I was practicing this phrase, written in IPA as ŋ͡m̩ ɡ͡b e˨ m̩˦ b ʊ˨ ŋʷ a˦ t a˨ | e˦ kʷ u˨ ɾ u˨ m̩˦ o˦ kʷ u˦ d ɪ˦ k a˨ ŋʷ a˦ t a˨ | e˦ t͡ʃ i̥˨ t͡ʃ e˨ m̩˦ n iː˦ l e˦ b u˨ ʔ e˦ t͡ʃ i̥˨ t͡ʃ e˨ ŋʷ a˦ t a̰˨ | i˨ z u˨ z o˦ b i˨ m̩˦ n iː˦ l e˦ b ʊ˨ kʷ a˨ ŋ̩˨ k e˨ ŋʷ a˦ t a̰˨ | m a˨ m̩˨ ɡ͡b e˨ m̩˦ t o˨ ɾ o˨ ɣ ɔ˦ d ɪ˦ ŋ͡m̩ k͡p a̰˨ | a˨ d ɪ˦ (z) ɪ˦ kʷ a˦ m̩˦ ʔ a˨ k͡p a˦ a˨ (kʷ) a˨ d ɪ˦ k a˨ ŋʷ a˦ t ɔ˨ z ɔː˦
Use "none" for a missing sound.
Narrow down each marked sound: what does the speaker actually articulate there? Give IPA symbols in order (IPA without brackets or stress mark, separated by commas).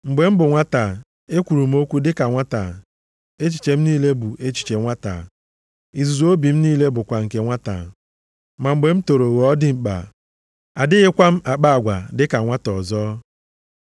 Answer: ɣ, ɡʷ